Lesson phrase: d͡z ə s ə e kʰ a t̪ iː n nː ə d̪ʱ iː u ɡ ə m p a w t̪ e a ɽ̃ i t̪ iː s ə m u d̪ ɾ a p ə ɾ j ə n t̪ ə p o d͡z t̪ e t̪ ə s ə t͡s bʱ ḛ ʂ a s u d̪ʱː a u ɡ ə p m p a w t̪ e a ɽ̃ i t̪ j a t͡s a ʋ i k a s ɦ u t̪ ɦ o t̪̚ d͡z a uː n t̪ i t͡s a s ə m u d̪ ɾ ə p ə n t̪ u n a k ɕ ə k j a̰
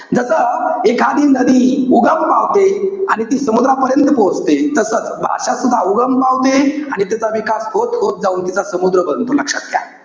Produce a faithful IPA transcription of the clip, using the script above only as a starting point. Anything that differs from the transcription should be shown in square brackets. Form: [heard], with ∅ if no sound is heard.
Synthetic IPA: d͡z ə s ə e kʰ a [d̪] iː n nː ə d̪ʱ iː u ɡ ə m p a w t̪ e a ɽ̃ i t̪ iː s ə m u d̪ ɾ a p ə ɾ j ə n t̪ ə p o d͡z t̪ e t̪ ə s ə t͡s bʱ [a̰] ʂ a s u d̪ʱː a u ɡ ə [∅] m p a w t̪ e a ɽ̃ i t̪ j a t͡s a ʋ i k a s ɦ [o] t̪ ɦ o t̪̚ d͡z a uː n t̪ i t͡s a s ə m u d̪ ɾ ə [b] ə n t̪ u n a k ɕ ə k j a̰